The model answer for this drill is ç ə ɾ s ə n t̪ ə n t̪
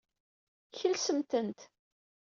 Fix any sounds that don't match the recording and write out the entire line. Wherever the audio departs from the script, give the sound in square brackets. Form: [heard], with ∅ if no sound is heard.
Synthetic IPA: ç ə [l] s ə [m] t̪ ə n t̪